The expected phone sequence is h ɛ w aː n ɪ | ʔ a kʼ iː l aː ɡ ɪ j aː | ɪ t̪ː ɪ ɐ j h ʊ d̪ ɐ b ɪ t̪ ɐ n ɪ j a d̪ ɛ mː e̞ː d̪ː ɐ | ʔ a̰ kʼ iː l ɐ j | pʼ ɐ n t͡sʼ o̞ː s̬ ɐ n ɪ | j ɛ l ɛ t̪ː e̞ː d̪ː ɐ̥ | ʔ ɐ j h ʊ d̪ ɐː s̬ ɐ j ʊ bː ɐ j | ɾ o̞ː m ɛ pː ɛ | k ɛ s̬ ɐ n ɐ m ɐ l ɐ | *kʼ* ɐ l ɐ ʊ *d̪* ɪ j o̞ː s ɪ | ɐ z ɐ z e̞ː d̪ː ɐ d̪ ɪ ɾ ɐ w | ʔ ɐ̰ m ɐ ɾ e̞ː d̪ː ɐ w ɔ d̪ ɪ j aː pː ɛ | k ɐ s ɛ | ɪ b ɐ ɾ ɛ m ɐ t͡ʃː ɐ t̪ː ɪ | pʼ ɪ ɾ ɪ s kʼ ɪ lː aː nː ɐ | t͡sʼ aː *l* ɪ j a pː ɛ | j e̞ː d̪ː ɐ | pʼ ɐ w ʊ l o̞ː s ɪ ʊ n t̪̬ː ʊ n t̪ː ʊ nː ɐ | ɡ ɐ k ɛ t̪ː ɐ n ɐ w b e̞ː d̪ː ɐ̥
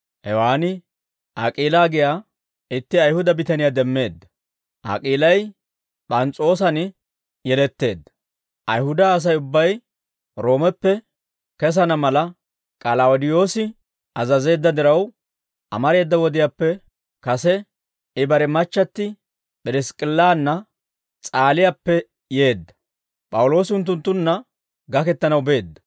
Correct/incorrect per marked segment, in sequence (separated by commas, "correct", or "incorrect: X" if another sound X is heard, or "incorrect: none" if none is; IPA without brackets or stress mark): correct, correct, correct